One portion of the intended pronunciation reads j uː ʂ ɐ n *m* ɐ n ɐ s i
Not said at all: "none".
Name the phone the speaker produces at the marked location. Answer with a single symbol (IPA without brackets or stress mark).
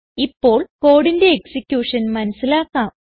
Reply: m